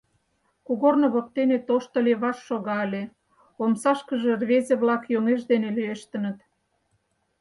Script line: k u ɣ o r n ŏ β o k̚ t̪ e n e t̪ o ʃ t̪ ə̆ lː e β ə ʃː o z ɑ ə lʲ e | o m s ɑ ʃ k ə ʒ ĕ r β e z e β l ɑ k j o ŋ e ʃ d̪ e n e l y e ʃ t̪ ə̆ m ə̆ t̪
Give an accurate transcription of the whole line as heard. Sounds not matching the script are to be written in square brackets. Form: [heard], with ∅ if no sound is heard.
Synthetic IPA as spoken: k u ɣ o r n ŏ β o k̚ t̪ e n e t̪ o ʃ t̪ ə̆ [l] e β [ɑ] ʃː o [ɣ] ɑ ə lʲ e | o m s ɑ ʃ k ə ʒ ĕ r β e z e β l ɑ k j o ŋ e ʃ d̪ e n e l y e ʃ t̪ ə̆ [n] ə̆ t̪